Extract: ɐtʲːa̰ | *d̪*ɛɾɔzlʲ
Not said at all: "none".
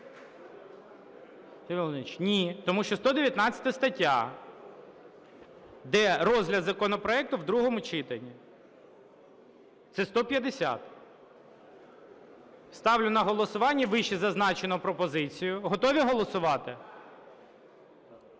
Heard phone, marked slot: d̪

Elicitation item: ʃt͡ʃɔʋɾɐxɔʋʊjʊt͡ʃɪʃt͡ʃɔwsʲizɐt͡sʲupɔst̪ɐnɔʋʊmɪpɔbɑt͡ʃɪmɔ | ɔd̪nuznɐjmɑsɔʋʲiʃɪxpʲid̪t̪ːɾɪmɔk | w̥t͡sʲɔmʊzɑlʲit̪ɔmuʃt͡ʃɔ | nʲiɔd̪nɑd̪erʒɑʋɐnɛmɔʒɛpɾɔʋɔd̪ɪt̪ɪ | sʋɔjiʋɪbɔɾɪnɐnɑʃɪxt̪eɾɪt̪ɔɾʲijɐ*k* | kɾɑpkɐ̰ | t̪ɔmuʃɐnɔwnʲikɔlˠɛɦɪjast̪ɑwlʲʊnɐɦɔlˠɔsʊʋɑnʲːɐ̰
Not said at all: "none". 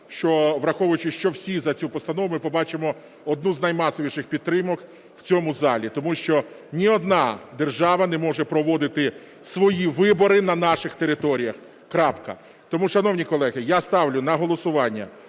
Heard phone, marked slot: x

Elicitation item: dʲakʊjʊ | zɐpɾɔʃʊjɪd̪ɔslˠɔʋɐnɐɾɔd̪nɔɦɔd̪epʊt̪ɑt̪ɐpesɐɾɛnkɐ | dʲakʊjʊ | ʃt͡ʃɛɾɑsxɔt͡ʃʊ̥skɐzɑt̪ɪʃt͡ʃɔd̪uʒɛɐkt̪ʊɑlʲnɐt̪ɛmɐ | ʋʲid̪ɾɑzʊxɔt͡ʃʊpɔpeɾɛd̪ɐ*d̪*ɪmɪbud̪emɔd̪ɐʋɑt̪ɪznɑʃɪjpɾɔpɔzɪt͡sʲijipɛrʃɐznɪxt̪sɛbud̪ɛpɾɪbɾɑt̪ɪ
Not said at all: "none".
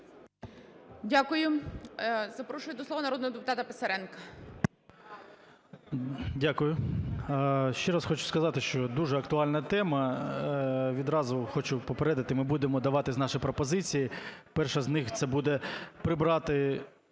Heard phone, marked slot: t̪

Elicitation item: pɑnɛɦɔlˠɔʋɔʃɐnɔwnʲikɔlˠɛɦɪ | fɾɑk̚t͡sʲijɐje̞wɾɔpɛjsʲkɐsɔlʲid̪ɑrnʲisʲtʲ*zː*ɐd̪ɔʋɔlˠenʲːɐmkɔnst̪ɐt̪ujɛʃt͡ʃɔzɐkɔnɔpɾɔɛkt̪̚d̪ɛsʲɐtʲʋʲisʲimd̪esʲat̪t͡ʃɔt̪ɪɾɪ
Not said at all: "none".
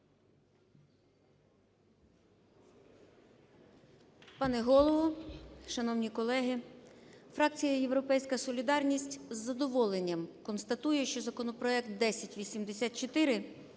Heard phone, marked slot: zː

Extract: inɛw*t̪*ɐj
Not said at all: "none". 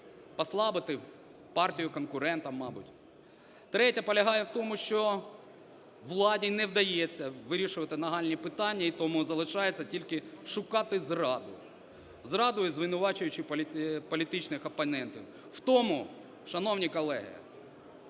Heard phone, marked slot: d̪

